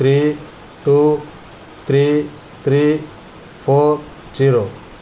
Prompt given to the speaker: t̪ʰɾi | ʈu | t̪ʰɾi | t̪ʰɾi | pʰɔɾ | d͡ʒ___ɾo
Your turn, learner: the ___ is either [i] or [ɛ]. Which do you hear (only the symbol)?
i